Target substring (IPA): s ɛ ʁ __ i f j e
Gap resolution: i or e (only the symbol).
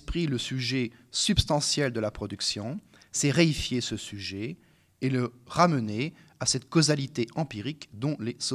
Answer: e